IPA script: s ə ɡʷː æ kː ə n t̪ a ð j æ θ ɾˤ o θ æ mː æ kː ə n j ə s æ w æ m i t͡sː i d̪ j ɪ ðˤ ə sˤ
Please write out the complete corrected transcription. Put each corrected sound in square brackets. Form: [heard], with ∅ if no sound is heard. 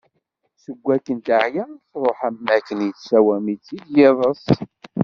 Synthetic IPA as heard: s ə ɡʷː æ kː ə n t̪ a [ʕ] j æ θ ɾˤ o [ħ] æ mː æ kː ə n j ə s æ w æ m i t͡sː i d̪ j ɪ ðˤ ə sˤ